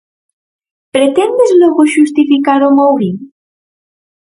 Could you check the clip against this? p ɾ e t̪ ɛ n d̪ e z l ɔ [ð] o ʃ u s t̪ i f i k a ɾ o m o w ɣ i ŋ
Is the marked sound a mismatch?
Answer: yes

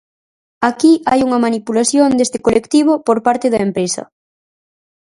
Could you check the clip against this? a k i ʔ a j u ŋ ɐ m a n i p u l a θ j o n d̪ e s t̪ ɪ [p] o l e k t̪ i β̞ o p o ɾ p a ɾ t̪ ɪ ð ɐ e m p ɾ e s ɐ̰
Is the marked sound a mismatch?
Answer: yes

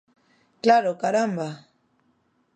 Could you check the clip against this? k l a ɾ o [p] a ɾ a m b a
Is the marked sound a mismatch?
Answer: yes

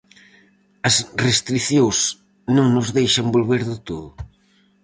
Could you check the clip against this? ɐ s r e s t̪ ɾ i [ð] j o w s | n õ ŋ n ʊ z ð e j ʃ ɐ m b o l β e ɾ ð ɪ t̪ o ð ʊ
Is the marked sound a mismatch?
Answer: yes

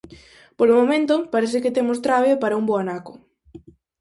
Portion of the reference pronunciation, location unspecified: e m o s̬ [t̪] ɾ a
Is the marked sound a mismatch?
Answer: no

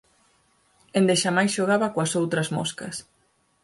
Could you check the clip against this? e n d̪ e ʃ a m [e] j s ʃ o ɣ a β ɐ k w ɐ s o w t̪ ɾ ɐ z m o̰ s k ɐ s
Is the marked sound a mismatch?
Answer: yes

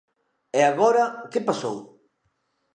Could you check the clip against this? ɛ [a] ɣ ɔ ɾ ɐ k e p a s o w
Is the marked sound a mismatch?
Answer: no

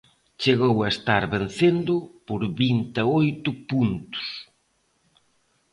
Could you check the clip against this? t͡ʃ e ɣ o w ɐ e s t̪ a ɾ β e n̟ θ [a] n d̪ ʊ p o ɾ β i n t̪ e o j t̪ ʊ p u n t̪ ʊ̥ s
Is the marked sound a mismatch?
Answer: yes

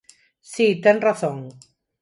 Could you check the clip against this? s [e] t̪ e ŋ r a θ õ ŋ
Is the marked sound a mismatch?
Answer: yes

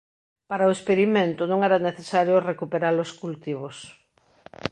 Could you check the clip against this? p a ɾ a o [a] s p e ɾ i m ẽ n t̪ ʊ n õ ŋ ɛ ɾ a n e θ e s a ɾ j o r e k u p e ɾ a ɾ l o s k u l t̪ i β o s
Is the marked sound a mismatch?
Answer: yes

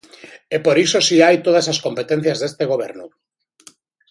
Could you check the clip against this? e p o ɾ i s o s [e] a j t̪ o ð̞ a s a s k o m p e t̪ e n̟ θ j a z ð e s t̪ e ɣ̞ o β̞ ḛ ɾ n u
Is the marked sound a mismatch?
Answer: yes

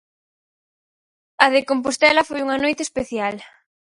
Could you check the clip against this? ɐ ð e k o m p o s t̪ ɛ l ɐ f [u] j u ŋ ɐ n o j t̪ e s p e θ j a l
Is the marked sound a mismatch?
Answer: yes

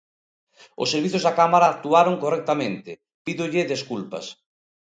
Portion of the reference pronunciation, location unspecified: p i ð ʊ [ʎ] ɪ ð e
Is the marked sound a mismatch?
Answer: no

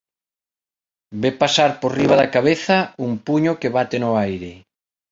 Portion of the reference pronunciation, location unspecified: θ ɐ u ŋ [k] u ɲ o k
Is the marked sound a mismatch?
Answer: yes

